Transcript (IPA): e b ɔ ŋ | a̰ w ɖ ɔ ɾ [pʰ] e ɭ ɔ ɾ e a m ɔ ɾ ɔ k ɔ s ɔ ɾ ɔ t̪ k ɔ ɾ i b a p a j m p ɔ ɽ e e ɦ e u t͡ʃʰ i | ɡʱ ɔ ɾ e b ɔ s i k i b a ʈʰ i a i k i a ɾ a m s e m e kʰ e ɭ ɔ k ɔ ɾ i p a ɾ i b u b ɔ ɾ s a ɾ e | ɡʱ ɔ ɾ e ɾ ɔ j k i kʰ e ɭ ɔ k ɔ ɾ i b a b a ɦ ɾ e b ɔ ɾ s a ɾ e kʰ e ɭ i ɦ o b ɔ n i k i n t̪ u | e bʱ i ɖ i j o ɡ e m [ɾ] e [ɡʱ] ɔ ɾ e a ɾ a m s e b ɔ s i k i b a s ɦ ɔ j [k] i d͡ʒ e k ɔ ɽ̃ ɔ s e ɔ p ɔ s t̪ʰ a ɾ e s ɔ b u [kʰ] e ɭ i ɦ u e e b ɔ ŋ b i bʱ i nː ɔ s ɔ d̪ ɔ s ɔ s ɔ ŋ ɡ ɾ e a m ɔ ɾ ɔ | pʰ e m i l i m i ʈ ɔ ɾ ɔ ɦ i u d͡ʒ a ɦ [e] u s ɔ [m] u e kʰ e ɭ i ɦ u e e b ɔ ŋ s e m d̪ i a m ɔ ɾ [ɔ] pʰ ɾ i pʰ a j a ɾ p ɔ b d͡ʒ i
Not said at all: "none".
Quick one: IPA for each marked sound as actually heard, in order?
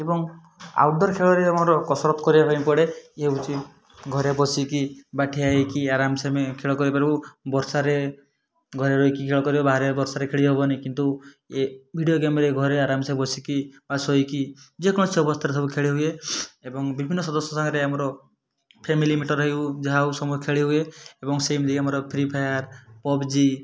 kʰ, ɾ, ɡʱ, k, kʰ, a, m, ɔ

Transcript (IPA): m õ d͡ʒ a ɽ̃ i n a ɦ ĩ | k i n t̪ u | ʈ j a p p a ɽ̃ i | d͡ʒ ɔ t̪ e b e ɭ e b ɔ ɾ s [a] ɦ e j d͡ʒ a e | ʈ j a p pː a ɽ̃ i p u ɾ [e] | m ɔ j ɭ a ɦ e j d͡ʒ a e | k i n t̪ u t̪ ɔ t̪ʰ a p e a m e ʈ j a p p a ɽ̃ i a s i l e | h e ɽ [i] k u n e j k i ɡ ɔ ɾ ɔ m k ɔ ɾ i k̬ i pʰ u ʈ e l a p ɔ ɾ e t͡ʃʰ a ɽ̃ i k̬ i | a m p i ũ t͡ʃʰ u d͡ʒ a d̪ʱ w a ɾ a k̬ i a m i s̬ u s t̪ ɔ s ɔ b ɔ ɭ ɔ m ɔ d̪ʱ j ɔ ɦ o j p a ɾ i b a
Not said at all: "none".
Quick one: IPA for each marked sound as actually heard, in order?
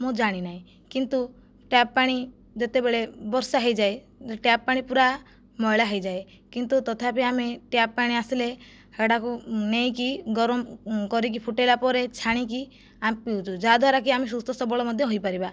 a, a, a

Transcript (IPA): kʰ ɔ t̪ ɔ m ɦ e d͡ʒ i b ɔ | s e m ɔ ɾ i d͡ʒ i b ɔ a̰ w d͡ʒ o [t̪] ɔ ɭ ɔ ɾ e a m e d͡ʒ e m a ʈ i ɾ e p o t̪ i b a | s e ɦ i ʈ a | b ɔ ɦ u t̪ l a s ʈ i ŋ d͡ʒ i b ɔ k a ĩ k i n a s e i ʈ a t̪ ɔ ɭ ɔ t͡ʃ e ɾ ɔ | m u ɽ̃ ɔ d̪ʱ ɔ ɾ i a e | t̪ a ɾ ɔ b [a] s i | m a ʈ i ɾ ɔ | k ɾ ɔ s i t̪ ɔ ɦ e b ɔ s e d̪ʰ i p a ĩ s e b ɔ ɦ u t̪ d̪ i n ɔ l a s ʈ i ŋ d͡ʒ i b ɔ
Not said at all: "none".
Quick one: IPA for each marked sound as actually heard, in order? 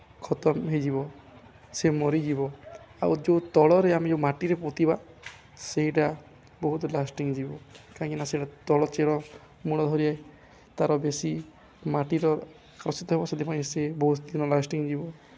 t̪, e

